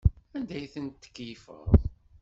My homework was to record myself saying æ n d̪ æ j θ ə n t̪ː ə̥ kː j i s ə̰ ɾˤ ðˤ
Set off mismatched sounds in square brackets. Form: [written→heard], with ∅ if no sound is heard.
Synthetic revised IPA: æ n d̪ æ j θ ə n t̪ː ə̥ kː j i [s→f] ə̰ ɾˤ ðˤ